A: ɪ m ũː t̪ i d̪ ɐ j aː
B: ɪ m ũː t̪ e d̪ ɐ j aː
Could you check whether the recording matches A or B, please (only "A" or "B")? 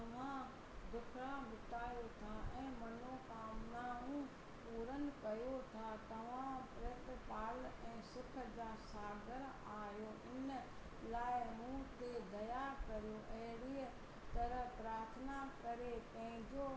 B